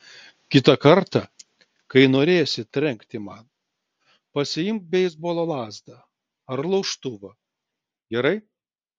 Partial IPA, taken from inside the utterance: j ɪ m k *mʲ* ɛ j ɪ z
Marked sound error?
yes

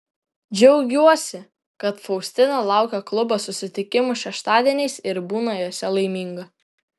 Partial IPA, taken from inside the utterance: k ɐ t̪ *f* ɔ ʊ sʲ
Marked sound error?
no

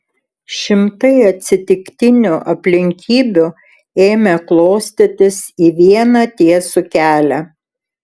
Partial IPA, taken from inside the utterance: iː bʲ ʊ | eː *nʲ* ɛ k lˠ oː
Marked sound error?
yes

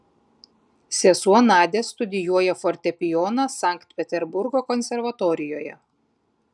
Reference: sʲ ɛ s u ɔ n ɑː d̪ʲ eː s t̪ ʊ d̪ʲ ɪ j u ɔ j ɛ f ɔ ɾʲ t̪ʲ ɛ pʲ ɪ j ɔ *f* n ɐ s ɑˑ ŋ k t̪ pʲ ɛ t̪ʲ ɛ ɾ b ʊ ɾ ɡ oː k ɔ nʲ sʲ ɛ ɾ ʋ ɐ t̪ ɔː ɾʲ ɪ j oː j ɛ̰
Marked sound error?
yes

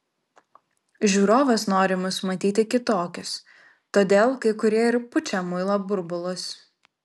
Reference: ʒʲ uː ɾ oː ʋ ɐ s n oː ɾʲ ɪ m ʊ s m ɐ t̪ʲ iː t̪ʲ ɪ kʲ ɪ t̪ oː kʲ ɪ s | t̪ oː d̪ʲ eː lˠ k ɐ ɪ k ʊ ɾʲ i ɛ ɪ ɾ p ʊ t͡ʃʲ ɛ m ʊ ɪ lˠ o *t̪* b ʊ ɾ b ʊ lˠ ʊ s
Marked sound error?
yes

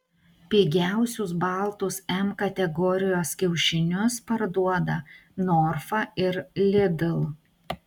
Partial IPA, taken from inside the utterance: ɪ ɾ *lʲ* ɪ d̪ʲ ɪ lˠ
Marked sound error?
no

